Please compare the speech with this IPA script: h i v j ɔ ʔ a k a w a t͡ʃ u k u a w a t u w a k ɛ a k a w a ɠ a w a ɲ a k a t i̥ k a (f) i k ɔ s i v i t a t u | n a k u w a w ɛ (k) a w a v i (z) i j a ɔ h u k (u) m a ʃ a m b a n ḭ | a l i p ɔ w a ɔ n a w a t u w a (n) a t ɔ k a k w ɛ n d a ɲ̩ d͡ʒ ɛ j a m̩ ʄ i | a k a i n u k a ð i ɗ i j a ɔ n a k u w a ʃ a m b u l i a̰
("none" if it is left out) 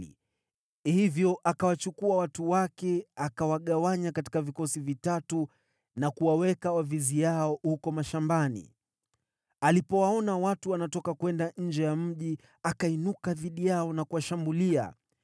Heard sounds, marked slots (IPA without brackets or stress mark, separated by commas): v, k, z, ɔ, n